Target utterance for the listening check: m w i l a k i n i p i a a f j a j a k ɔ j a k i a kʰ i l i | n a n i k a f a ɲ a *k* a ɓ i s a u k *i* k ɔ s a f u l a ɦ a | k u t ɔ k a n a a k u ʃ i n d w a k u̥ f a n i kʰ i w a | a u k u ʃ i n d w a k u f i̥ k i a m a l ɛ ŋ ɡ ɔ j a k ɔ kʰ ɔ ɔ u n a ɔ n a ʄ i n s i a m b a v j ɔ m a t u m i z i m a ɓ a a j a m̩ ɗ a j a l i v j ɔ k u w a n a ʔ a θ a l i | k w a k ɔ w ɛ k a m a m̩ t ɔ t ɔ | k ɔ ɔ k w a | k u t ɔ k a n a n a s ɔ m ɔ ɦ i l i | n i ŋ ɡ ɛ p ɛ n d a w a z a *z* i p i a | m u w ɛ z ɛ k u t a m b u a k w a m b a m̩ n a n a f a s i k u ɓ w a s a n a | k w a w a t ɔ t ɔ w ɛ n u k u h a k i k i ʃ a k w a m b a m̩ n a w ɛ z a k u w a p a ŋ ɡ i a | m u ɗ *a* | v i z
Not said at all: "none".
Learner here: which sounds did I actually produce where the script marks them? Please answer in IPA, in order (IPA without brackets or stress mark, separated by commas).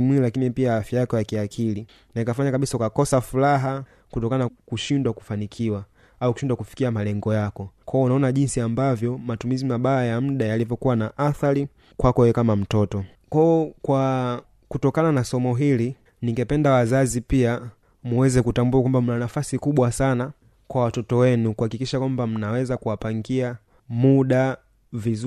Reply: k, a, z, a